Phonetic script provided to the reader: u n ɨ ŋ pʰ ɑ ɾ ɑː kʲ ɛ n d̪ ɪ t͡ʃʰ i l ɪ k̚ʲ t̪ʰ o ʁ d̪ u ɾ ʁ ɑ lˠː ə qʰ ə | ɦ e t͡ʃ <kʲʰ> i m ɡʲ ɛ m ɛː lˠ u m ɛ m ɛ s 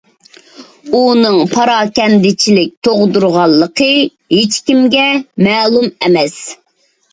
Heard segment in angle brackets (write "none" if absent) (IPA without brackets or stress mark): kʲ